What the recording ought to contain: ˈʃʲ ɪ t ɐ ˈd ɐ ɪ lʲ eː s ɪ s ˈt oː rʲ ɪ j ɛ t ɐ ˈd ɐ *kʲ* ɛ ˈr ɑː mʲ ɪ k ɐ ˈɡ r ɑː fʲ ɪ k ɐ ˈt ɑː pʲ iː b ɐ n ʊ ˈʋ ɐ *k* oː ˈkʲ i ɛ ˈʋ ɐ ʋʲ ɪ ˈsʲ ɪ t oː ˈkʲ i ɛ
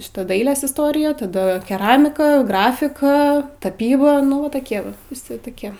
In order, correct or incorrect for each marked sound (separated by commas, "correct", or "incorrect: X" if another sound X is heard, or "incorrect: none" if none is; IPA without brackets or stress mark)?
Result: correct, incorrect: t